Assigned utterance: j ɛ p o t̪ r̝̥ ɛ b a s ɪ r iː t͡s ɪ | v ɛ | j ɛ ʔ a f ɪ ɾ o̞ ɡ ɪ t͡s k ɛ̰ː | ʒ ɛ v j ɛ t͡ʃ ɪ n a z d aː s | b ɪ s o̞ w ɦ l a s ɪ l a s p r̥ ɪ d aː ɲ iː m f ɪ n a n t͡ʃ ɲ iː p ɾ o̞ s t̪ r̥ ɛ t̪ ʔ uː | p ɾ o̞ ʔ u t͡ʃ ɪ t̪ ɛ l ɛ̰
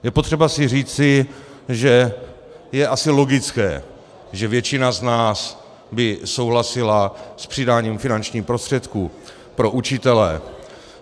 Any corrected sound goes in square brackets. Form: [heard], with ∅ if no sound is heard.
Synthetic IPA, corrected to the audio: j ɛ p o t̪ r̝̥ ɛ b a s ɪ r iː t͡s ɪ | [ʒ] ɛ | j ɛ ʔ a [s] ɪ [l] o̞ ɡ ɪ t͡s k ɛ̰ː | ʒ ɛ v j ɛ t͡ʃ ɪ n a z [n] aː s | b ɪ s o̞ w ɦ l a s ɪ l a s p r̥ ɪ d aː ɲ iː m f ɪ n a n t͡ʃ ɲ iː p ɾ o̞ s t̪ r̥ ɛ t̪ [k] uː | p ɾ o̞ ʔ u t͡ʃ ɪ t̪ ɛ l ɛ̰